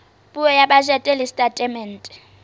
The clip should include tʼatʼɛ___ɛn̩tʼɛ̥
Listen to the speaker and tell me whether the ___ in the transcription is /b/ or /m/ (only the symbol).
m